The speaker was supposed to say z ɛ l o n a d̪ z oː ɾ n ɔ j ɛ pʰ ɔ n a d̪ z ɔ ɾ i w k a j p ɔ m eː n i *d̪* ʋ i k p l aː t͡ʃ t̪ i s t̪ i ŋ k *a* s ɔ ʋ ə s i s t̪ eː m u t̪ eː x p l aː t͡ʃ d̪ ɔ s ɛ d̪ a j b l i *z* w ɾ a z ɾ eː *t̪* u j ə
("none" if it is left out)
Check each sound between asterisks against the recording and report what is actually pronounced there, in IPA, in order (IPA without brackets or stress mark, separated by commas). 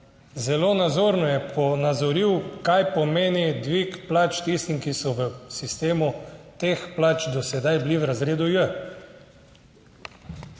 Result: d̪, i, none, d̪